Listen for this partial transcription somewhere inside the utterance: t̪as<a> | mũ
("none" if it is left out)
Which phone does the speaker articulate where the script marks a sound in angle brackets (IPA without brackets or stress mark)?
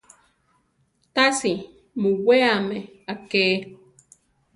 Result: i